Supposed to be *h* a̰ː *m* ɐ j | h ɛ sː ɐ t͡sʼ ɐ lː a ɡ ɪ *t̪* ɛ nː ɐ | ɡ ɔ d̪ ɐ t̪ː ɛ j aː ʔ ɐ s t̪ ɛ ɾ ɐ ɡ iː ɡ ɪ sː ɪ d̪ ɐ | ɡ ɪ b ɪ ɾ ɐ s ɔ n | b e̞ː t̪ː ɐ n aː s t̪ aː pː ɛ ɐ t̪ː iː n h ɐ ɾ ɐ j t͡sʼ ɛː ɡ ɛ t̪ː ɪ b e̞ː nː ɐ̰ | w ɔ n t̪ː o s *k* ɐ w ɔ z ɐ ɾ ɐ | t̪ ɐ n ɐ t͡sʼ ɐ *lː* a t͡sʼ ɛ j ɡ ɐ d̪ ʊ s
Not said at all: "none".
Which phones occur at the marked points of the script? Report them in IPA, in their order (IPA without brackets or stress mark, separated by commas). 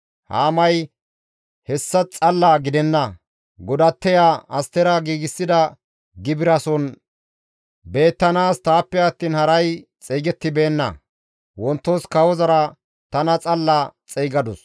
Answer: h, m, d̪, k, lː